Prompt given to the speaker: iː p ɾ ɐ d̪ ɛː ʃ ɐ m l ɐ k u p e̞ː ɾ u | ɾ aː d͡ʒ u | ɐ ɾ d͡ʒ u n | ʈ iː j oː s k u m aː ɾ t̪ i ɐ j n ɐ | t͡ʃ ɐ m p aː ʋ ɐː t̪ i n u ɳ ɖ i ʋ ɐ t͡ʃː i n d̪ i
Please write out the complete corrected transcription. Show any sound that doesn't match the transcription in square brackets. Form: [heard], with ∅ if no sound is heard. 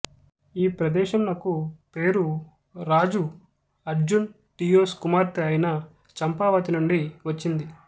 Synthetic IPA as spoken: iː p ɾ ɐ d̪ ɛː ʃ ɐ m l ɐ k u p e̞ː ɾ u | ɾ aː d͡ʒ u | ɐ ɾ d͡ʒ u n | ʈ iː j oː s k u m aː ɾ t̪ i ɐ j n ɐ | t͡ʃ ɐ m p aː ʋ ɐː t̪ i n u ɳ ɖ i ʋ ɐ t͡ʃː i n d̪ i